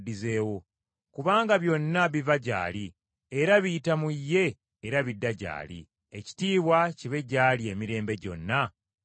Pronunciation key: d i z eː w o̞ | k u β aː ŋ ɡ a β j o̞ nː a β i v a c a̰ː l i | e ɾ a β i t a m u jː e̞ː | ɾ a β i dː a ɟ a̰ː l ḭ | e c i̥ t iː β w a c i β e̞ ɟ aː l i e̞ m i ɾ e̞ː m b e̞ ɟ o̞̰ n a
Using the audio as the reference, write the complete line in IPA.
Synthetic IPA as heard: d i z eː w o̞ | k u β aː ŋ ɡ a β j o̞ nː a β i v a ɟ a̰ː l i | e ɾ a β i t a m u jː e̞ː | ɾ a β i dː a ɟ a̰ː l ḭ | e c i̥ t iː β w a c i β e̞ ɟ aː l i e̞ m i ɾ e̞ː m b e̞ ɟ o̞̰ nː a